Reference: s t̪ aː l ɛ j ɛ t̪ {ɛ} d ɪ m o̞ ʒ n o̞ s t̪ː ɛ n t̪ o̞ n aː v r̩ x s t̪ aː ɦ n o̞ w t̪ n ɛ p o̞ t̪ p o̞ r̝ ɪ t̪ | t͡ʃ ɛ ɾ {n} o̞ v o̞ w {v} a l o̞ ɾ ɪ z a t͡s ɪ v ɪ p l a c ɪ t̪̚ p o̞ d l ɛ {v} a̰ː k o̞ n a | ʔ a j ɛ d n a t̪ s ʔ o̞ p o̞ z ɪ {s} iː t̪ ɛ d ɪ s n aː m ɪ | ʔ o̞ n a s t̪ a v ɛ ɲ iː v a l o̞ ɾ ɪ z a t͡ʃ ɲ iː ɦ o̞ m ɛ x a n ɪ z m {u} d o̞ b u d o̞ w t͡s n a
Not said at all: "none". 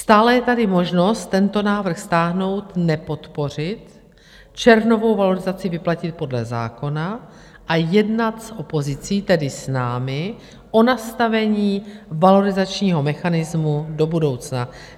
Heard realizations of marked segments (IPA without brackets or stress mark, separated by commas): a, n, v, z, t͡s, u